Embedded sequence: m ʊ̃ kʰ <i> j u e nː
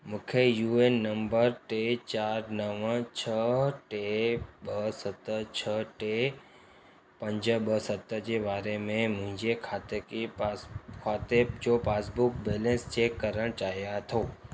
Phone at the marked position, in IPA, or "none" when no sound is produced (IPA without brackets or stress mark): e